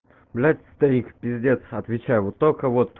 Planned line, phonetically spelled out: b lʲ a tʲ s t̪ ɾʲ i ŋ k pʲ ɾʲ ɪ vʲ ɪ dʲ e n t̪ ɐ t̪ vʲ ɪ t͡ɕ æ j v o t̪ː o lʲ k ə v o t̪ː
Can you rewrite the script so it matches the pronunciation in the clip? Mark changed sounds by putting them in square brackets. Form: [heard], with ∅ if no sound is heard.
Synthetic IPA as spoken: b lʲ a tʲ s t̪ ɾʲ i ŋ k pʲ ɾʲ ɪ [zʲ] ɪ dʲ e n t̪ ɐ t̪ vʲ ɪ t͡ɕ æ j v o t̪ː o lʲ k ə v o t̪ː

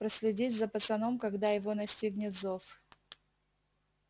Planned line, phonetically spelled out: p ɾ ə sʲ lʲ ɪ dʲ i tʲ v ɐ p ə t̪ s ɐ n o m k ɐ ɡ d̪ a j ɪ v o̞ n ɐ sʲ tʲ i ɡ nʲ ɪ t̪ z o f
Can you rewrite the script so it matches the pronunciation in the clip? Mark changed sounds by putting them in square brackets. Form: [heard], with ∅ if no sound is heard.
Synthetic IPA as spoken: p ɾ ə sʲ lʲ ɪ dʲ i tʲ [z] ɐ p ə t̪ s ɐ n o m k ɐ ɡ d̪ a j ɪ v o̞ n ɐ sʲ tʲ i ɡ nʲ ɪ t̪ z o f

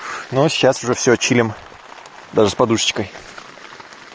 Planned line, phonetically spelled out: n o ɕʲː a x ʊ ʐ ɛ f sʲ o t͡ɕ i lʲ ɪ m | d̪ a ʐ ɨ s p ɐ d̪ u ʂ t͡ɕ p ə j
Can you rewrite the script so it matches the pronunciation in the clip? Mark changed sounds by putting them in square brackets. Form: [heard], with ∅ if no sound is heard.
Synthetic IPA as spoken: n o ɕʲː a [s] ʊ ʐ ɛ f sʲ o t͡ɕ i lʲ ɪ m | d̪ a ʐ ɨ s p ɐ d̪ u ʂ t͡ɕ [k] ə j

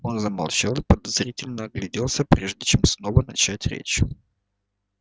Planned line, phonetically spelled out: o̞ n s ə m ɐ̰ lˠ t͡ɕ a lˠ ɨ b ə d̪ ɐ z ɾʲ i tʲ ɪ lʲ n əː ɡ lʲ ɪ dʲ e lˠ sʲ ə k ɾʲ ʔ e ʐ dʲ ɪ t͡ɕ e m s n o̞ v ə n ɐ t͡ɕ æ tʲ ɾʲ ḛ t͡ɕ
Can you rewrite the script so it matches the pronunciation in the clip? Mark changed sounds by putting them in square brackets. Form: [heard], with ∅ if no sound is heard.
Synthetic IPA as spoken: o̞ n [z] ə m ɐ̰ lˠ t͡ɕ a lˠ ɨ [p] ə d̪ ɐ z ɾʲ i tʲ ɪ lʲ n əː ɡ lʲ ɪ dʲ e lˠ sʲ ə [p] ɾʲ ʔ e ʐ dʲ ɪ t͡ɕ e m s n o̞ v ə n ɐ t͡ɕ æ tʲ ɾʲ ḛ t͡ɕ

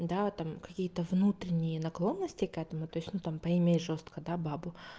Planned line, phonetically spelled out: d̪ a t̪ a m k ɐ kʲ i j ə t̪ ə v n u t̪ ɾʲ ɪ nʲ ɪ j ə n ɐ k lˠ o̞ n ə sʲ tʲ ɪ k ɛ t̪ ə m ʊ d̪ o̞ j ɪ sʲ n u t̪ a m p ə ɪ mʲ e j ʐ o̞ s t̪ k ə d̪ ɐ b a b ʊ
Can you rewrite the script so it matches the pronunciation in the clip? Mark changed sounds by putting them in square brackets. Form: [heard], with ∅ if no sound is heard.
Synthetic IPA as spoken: d̪ a t̪ a m k ɐ kʲ i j ə t̪ ə v n u t̪ ɾʲ ɪ nʲ ɪ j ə n ɐ k lˠ o̞ [nː] ə sʲ tʲ ɪ k ɛ t̪ ə m ʊ [t̪] o̞ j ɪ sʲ n u t̪ a m p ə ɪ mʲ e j ʐ o̞ s t̪ k ə d̪ [a] b a b ʊ

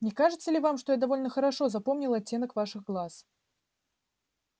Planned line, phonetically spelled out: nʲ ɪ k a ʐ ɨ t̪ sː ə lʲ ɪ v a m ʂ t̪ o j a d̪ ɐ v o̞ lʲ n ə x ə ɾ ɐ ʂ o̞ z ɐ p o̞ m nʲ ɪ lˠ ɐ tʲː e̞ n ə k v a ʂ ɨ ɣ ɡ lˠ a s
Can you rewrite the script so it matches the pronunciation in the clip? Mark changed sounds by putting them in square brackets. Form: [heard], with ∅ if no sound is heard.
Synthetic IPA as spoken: nʲ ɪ k a ʐ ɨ t̪ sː ə lʲ ɪ v a m ʂ t̪ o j a d̪ ɐ v o̞ lʲ n ə x ə ɾ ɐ ʂ o̞ z ɐ p o̞ m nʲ ɪ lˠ ɐ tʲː e̞ n ə k v a ʂ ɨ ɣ ɡ lˠ a s

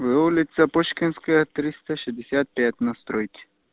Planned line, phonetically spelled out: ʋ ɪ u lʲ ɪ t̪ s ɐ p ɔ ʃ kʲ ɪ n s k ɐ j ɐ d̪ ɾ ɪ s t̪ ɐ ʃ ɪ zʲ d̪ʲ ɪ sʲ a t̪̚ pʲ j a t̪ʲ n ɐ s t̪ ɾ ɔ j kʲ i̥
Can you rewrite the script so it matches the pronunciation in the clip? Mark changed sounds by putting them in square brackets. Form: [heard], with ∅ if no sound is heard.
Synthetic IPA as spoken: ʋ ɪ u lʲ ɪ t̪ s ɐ p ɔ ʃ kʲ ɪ n s k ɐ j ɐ [t̪] ɾ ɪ s t̪ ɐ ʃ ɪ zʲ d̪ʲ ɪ sʲ a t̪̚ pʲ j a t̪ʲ n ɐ s t̪ ɾ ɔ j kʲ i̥

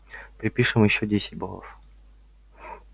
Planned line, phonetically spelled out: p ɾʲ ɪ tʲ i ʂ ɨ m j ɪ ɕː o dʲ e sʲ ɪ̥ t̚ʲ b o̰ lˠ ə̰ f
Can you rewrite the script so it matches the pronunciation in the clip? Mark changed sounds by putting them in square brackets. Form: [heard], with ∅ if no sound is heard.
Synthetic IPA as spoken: p ɾʲ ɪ [pʲ] i ʂ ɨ m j ɪ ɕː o dʲ e sʲ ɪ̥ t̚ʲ b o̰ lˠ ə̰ f

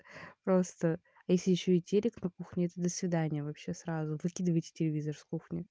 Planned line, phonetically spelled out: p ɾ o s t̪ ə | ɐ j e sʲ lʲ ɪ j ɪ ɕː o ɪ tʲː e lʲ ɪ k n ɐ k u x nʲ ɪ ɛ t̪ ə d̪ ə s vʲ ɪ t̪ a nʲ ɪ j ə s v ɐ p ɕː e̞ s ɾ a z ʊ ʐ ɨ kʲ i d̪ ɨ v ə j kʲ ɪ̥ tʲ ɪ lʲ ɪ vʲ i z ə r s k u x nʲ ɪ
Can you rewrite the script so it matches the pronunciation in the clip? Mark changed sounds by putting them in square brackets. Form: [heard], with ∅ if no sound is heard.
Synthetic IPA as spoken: p ɾ o s t̪ ə | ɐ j e sʲ lʲ ɪ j ɪ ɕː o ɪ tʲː e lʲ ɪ k n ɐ k u x nʲ ɪ ɛ t̪ ə d̪ ə s vʲ ɪ [d̪] a nʲ ɪ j ə [∅] v ɐ p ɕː e̞ s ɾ a z ʊ [v] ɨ kʲ i d̪ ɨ v ə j [tʲ] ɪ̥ tʲ ɪ lʲ ɪ vʲ i z ə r s k u x nʲ ɪ

